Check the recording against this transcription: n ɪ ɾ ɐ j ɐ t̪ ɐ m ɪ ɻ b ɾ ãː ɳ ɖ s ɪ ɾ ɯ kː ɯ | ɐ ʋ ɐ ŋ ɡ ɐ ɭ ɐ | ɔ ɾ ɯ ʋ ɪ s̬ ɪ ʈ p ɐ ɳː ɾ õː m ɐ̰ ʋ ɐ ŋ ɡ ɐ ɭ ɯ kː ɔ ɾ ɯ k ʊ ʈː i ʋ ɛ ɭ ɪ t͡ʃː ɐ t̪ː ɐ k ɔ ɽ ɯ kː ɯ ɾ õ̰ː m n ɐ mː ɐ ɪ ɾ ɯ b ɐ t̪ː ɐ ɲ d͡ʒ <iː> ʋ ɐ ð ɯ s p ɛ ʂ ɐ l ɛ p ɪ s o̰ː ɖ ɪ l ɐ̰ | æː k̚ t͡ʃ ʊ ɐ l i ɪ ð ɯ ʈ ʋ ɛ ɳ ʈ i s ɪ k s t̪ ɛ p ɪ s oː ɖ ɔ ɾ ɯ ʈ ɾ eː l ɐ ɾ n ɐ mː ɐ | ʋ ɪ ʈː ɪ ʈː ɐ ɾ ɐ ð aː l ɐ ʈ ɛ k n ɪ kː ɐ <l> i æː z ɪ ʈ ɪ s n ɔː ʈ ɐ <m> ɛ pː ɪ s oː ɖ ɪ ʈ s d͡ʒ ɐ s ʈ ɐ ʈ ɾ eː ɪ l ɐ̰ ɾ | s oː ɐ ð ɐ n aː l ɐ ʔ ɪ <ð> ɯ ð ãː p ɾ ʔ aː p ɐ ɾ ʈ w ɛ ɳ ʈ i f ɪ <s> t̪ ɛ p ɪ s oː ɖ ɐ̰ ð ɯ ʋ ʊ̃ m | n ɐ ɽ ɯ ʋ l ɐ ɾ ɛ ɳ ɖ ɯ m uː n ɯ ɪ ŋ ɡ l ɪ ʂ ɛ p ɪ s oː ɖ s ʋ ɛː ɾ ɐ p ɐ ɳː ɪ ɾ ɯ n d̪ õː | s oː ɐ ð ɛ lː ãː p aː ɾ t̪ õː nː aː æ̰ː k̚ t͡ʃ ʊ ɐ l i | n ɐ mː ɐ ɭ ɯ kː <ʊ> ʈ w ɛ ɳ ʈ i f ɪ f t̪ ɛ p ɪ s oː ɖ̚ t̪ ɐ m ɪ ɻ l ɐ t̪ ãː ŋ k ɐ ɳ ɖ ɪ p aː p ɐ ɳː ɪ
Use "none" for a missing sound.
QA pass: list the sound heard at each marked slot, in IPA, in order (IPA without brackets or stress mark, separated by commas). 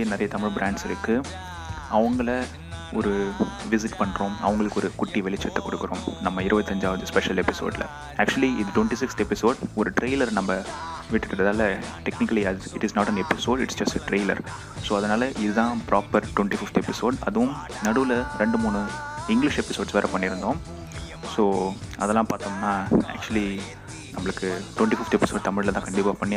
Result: aː, l, n, ð, f, ɯ